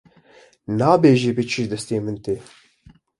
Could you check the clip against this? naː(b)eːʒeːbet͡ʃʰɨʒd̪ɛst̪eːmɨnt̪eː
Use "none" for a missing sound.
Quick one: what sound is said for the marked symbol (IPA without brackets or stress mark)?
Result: b